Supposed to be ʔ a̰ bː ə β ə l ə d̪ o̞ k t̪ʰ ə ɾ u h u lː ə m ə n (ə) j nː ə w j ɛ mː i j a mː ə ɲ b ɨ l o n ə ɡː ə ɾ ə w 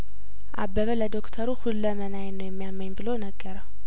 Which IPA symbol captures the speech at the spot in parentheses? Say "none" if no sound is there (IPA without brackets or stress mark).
a